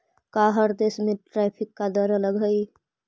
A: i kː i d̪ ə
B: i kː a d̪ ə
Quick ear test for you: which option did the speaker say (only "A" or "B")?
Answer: B